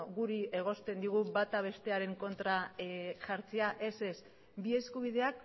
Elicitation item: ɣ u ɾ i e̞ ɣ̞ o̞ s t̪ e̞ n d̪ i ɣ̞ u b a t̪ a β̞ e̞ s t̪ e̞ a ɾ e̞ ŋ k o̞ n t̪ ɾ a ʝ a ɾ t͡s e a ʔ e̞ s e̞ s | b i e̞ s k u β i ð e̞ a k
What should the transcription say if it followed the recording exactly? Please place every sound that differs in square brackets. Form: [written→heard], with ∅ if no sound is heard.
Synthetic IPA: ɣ u ɾ i e̞ ɣ̞ o̞ s t̪ e̞ n d̪ i ɣ̞ u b a t̪ a β̞ e̞ s t̪ e̞ a ɾ e̞ ŋ k o̞ n t̪ ɾ a ʝ a ɾ t͡s e a ʔ e̞ s e̞ s | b i e̞ s k u β i ð e̞ a k